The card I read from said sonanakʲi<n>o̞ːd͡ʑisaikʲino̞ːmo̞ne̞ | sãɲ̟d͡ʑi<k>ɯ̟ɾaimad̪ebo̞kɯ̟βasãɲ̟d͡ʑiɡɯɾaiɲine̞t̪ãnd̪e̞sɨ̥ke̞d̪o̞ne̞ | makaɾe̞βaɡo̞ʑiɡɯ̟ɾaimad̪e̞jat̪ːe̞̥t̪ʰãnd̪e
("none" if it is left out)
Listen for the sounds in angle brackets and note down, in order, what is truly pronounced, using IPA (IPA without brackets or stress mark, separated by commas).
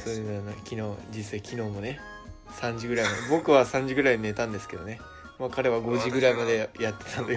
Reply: n, ɡ